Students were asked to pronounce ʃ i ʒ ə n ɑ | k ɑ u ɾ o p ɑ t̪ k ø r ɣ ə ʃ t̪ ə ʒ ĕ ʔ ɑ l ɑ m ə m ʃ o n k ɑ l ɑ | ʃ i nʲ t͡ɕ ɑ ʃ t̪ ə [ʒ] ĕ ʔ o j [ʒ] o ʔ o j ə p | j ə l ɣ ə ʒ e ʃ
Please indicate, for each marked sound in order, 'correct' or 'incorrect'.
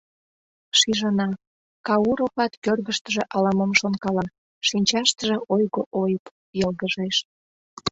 correct, incorrect: ɣ

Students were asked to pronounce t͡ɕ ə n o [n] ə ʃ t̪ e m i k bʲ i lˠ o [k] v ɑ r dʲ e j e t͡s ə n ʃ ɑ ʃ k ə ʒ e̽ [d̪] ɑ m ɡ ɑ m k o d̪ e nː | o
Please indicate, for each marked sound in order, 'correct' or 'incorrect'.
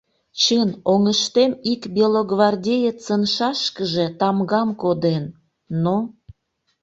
incorrect: ŋ, incorrect: ɡ, incorrect: t̪

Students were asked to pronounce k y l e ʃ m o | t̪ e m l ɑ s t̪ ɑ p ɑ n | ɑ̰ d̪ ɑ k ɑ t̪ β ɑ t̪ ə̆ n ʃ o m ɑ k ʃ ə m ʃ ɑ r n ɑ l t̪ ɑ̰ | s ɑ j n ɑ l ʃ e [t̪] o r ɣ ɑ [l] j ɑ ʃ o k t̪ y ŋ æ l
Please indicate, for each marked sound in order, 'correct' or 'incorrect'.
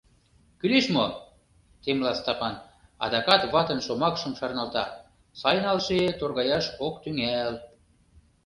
correct, incorrect: none

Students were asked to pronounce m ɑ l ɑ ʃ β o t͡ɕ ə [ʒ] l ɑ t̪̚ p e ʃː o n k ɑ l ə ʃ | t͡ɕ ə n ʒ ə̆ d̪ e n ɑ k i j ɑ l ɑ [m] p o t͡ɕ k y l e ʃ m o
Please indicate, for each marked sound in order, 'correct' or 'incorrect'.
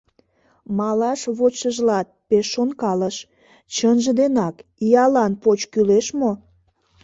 correct, incorrect: n

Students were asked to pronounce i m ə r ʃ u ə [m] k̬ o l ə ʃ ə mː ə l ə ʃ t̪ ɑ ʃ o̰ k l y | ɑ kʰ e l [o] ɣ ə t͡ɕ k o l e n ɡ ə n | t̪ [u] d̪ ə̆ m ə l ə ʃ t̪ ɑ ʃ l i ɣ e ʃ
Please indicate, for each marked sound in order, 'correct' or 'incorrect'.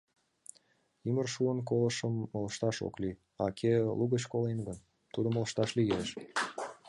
incorrect: n, incorrect: u, correct

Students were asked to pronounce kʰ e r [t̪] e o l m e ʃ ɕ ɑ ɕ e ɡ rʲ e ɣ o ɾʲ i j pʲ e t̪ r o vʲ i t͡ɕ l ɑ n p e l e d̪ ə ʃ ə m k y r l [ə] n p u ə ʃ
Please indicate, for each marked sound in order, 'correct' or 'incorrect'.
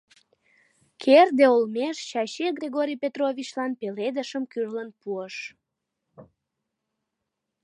incorrect: d̪, correct

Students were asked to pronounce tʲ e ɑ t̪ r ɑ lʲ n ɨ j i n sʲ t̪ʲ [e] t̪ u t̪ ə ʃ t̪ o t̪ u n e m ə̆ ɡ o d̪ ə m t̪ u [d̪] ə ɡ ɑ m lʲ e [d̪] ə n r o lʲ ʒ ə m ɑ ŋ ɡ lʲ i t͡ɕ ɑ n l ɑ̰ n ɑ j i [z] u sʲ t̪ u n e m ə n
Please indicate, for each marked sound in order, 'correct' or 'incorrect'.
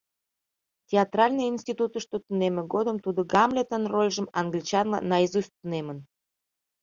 incorrect: i, correct, incorrect: t̪, correct

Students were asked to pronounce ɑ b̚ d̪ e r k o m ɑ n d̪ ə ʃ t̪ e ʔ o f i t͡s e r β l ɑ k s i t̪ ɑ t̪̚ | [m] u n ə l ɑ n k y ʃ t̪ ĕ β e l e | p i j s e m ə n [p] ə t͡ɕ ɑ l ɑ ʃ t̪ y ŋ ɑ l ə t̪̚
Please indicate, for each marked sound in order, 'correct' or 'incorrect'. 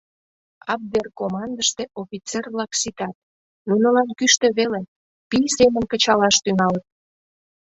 incorrect: n, incorrect: k

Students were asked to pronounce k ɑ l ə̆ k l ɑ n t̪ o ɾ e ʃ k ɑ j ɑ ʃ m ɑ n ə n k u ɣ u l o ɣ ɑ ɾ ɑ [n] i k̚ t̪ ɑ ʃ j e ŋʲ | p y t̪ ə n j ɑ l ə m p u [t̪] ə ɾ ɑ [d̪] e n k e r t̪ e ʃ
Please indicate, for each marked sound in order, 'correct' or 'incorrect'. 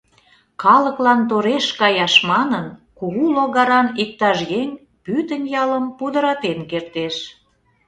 correct, incorrect: d̪, incorrect: t̪

